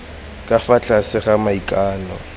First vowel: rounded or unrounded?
unrounded